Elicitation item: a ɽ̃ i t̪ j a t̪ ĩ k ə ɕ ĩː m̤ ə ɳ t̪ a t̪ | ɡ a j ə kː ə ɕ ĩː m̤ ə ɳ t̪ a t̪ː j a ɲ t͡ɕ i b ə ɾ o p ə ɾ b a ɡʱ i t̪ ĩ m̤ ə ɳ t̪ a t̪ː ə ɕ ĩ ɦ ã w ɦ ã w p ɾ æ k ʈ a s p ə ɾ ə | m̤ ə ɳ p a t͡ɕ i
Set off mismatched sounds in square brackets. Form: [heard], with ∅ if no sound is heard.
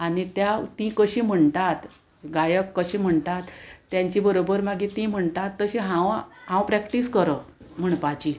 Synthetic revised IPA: a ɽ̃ i t̪ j a t̪ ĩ k ə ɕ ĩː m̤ ə ɳ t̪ a t̪ | ɡ a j ə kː ə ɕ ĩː m̤ ə ɳ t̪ a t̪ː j a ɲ t͡ɕ i b ə ɾ o [b] ə ɾ [m] a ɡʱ i t̪ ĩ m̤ ə ɳ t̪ a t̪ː ə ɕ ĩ ɦ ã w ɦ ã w p ɾ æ k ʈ [i] s [k] ə ɾ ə | m̤ ə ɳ p a t͡ɕ i